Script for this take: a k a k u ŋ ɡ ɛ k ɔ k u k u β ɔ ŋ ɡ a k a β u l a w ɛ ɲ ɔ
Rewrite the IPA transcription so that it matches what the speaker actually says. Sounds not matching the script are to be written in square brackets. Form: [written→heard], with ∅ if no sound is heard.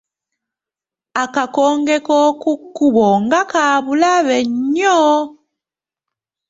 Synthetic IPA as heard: a k a k [u→ɔ] ŋ ɡ ɛ k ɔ k u k u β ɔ ŋ ɡ a k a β u l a [w→β] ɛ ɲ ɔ